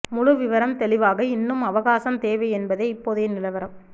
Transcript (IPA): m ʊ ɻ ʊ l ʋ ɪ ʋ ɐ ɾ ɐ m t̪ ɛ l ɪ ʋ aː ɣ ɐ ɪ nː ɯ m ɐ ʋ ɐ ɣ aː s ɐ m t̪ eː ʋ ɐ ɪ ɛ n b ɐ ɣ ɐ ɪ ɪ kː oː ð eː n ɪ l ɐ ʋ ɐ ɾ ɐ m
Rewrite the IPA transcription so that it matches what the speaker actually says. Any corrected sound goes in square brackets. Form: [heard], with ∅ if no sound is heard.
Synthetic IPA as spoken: m ʊ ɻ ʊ [∅] ʋ ɪ ʋ ɐ ɾ ɐ m t̪ ɛ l ɪ ʋ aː ɣ ɐ ɪ nː ɯ m ɐ ʋ ɐ ɣ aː s ɐ m t̪ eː ʋ ɐ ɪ ɛ n b ɐ [ð] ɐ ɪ ɪ [pː] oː ð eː n ɪ l ɐ ʋ ɐ ɾ ɐ m